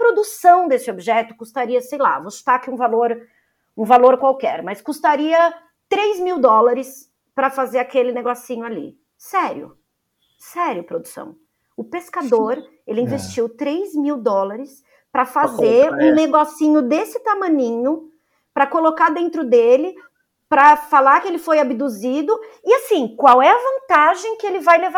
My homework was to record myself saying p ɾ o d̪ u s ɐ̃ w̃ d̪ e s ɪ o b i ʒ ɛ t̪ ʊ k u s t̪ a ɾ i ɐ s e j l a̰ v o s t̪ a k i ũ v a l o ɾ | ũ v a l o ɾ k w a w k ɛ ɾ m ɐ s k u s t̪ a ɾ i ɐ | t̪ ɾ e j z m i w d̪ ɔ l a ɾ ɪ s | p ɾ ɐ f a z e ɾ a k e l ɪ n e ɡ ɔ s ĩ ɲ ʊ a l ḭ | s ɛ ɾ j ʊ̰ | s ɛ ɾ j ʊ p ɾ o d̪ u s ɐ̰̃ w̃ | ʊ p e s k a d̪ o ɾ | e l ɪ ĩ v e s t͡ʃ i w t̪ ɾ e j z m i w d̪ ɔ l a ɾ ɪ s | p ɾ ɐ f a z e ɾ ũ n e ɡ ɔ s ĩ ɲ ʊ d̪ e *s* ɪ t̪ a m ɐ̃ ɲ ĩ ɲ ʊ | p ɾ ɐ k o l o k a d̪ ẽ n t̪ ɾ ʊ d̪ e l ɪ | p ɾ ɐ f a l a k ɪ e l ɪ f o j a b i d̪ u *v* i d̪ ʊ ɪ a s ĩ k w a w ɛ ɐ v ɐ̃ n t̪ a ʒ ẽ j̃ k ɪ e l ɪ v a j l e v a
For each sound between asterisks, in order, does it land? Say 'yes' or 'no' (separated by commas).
yes, no